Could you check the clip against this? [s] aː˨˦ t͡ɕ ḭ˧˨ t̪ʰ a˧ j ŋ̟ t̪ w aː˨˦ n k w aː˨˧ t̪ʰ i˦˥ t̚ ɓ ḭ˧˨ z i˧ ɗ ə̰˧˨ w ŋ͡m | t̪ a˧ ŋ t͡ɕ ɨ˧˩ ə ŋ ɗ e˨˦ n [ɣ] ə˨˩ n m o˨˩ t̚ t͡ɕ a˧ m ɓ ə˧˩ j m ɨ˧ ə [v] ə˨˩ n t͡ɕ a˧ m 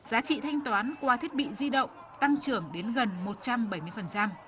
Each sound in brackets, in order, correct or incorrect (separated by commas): incorrect, correct, incorrect